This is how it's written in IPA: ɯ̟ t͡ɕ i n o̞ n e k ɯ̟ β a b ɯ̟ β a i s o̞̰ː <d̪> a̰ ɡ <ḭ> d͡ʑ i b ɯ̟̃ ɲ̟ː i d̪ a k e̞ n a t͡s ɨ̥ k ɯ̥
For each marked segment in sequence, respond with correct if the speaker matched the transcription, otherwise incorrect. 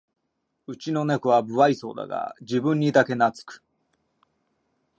correct, incorrect: a̰

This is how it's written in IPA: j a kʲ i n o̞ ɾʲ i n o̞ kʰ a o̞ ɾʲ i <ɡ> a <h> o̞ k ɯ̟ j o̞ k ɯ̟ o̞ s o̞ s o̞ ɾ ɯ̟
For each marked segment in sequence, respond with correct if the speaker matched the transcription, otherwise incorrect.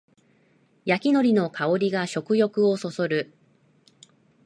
correct, incorrect: ɕ

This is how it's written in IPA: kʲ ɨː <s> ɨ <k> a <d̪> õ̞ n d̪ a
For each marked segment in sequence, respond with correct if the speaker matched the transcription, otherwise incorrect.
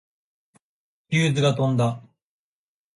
incorrect: z, incorrect: ɡ, incorrect: t̪

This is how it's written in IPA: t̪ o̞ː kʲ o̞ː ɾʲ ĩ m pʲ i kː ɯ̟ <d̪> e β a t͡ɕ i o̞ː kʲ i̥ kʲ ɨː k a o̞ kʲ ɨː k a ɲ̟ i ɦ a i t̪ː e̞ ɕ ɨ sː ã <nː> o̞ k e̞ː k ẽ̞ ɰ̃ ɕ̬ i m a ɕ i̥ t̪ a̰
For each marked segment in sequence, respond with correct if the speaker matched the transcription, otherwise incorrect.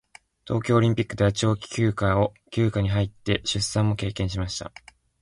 correct, incorrect: mː

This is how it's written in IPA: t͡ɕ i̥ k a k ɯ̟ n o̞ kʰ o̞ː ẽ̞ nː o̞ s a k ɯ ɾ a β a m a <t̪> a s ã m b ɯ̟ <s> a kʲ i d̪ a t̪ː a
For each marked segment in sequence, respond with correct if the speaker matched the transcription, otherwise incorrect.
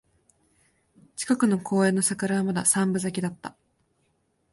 incorrect: d̪, incorrect: z

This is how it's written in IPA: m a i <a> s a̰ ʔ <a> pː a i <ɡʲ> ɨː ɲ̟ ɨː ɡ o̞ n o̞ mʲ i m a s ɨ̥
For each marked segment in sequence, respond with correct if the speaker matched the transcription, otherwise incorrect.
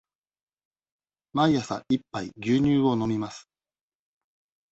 correct, incorrect: i, correct

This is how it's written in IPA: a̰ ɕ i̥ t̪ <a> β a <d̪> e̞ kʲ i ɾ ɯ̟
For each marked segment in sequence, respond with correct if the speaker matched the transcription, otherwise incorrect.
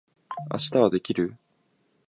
correct, correct

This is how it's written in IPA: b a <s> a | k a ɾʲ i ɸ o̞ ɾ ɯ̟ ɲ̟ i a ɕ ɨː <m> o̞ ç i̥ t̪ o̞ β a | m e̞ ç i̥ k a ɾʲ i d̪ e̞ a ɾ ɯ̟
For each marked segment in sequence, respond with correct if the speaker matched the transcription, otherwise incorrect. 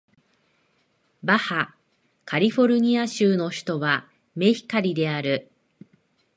incorrect: h, incorrect: n

